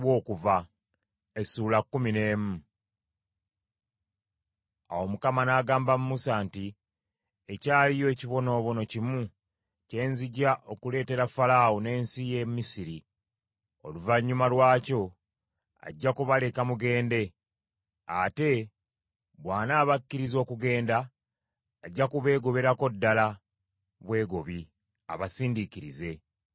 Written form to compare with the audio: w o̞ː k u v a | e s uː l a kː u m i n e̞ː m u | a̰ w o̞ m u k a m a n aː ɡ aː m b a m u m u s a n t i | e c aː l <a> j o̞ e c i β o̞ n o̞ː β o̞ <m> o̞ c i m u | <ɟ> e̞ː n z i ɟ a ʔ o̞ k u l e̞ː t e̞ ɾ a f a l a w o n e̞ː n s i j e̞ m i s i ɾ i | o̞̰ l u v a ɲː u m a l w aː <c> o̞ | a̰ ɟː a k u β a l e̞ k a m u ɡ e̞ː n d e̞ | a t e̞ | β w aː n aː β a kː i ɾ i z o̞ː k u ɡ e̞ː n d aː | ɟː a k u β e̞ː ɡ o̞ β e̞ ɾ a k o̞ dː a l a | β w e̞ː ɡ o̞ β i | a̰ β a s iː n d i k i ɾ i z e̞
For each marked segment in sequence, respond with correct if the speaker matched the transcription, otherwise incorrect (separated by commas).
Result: incorrect, incorrect, incorrect, correct